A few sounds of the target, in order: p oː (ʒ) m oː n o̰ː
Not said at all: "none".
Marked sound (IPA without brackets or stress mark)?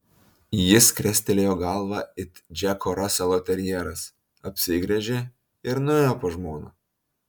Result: ʒ